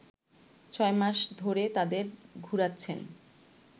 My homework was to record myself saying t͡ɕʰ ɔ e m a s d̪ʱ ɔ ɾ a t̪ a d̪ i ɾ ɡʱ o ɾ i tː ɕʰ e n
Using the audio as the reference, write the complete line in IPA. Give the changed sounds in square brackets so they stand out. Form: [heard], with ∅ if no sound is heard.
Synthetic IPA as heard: t͡ɕʰ ɔ e m a [ʃ] d̪ʱ [o] ɾ [e] t̪ a d̪ [e] ɾ ɡʱ [u] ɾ [a] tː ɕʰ e n